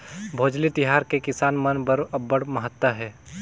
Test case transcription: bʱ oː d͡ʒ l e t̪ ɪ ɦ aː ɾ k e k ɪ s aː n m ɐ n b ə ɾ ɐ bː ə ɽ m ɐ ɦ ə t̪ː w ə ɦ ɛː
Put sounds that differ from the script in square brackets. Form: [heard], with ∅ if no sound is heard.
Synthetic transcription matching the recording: bʱ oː d͡ʒ l [i] t̪ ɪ ɦ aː ɾ k e k ɪ s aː n m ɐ n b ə ɾ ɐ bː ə ɽ m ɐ ɦ ə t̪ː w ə ɦ ɛː